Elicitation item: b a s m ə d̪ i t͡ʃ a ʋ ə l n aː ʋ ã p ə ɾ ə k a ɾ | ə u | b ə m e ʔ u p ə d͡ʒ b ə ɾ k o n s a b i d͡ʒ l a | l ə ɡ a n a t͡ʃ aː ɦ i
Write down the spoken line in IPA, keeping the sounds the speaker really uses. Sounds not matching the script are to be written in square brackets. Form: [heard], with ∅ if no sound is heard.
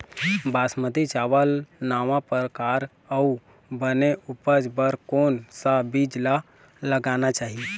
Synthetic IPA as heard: b a s m ə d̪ i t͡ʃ a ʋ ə l n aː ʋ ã p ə ɾ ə k a ɾ | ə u | b ə [n] e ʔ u p ə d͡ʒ b ə ɾ k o n s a b i d͡ʒ l a | l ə ɡ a n a t͡ʃ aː ɦ i